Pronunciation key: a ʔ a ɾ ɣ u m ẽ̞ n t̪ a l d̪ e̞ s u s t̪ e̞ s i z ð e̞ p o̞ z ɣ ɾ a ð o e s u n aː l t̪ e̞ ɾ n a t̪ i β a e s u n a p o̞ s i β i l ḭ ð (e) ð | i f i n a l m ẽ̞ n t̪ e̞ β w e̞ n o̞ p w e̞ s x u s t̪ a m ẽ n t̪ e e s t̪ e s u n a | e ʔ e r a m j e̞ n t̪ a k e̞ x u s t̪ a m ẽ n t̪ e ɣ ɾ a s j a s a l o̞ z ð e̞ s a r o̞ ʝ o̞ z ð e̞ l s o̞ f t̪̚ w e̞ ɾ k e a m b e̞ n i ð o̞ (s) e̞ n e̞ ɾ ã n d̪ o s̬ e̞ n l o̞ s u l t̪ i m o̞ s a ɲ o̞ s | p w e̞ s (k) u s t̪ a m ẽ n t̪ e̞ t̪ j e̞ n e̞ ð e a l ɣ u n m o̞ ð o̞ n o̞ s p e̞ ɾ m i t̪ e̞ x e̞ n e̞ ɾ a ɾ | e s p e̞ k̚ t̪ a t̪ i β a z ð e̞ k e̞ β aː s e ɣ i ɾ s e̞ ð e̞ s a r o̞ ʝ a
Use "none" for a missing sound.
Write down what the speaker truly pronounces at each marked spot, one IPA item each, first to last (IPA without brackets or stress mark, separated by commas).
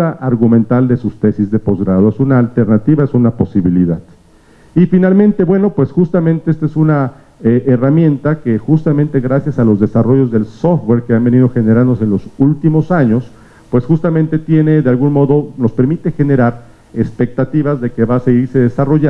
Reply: a, x, x